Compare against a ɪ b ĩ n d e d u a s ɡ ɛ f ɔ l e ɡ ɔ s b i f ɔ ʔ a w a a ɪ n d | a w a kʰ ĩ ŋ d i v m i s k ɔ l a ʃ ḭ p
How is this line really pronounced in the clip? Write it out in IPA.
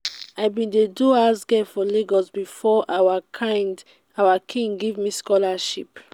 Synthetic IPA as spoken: a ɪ b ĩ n d e d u a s ɡ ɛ f ɔ l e ɡ ɔ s b i f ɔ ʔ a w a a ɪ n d | a w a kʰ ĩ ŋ ɡ i v m i s k ɔ l a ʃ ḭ p

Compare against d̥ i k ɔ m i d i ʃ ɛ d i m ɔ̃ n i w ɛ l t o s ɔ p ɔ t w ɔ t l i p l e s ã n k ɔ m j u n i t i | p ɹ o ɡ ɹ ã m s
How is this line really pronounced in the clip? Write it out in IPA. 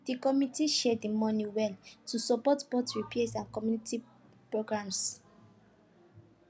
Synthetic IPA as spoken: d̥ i k ɔ m i t i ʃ ɛ d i m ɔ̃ n i w ɛ l t u s ɔ p ɔ t b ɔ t ɹ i p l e s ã n k ɔ m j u n i t i | p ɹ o ɡ ɹ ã m s

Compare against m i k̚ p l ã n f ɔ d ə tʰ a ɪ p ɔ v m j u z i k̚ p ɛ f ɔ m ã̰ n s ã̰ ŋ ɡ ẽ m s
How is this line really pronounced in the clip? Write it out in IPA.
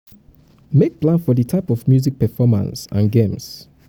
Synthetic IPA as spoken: m e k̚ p l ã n f ɔ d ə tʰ a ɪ p ɔ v m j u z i k̚ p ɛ f ɔ m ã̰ n s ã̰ n ɡ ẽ m s

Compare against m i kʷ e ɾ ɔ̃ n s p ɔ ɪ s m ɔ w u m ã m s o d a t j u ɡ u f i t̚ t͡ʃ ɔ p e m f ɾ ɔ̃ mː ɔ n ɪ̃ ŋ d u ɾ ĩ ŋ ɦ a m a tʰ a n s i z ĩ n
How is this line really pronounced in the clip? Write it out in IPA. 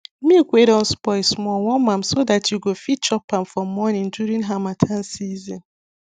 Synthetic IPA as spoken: m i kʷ e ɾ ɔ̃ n s p ɔ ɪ s m ɔ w ɔ m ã m s o d a t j u ɡ o f i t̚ t͡ʃ ɔ p a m f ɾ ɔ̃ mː ɔ n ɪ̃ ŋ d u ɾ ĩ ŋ ɦ a m a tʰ a n s i z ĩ n

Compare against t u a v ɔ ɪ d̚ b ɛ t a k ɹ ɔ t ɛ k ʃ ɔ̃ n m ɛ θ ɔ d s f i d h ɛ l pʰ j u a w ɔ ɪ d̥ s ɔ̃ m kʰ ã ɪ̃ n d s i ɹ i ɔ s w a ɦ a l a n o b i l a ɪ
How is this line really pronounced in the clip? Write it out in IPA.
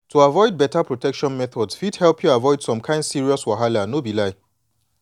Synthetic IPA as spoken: t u a v ɔ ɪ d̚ b ɛ t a p ɹ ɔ t ɛ k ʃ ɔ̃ n m ɛ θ ɔ d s f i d h ɛ l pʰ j u a v ɔ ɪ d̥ s ɔ̃ m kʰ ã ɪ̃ n d s i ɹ i ɔ s w a ɦ a l a n o b i l a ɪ

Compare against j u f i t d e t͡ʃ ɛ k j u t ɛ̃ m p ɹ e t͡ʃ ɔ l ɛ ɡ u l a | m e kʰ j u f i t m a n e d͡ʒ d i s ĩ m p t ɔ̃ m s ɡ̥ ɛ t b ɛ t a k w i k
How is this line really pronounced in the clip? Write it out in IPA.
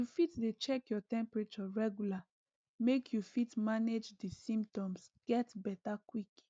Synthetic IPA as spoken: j u f i t d e t͡ʃ ɛ k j ɔ t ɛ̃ m p ɹ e t͡ʃ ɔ ɹ ɛ ɡ u l a | m e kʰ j u f i t m a n e d͡ʒ d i s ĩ m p t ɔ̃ m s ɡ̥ ɛ t b ɛ t a k w i k

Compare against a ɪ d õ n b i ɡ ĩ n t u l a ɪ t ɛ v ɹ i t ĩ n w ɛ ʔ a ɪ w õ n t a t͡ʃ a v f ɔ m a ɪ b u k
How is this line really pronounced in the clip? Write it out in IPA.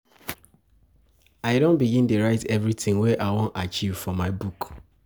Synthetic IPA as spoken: a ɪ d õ n b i ɡ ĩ n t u ɹ a ɪ t ɛ v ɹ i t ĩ ŋ w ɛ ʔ a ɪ w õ n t a t͡ʃ i v f ɔ m a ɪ b u k

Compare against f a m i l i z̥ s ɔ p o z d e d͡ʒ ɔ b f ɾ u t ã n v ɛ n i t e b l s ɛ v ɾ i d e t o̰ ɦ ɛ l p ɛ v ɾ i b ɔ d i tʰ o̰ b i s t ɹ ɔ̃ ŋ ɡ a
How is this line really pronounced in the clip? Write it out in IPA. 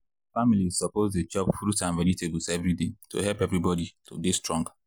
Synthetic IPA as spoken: f a m i l i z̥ s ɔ p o z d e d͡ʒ ɔ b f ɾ u t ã n v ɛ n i t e b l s ɛ v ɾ i d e t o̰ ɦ ɛ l p ɛ v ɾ i b ɔ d i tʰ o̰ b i s t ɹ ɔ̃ ŋ ɡ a

